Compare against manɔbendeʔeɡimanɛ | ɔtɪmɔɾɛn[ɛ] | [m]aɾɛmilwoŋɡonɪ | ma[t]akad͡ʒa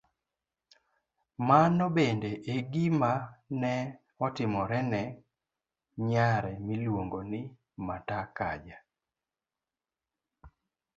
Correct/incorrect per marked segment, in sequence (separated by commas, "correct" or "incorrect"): correct, incorrect, correct